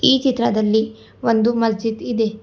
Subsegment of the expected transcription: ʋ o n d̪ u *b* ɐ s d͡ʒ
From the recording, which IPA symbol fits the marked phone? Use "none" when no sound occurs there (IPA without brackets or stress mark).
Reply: m